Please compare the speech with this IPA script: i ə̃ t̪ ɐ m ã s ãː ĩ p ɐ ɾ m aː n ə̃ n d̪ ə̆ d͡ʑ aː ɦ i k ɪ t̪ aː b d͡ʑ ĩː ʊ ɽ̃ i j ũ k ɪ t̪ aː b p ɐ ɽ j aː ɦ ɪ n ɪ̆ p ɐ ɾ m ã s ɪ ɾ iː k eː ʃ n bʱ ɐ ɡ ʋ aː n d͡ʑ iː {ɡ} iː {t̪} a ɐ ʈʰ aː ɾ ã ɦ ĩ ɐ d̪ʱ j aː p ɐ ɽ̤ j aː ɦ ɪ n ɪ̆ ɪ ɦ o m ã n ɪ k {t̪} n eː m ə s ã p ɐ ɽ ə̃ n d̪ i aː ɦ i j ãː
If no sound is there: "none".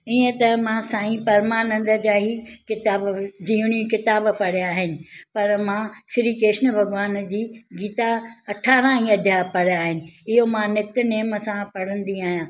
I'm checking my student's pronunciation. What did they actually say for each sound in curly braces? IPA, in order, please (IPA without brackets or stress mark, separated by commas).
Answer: ɡ, t̪, t̪